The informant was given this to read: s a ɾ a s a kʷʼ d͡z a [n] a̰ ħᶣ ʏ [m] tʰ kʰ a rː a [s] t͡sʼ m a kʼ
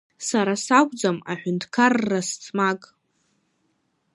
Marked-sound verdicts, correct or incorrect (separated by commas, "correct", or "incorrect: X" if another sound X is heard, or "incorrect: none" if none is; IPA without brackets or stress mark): incorrect: m, incorrect: n, correct